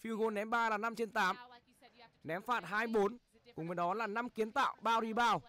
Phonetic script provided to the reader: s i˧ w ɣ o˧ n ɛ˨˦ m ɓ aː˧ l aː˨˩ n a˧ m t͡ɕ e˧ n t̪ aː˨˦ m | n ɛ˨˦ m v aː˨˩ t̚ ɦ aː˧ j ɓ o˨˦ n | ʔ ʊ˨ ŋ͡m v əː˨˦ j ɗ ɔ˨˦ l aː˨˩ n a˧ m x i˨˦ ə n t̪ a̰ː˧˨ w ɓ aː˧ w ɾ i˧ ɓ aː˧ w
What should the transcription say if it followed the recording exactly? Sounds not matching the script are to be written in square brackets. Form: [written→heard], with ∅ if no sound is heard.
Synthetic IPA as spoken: [s→f] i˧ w ɣ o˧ n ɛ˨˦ m ɓ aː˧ l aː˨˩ n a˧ m t͡ɕ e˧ n t̪ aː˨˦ m | n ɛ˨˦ m [v→f] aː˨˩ t̚ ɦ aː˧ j ɓ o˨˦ n | [ʔ→k] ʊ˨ ŋ͡m v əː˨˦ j ɗ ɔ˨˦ l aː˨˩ n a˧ m [x→k] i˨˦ ə n t̪ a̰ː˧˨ w ɓ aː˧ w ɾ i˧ ɓ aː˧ w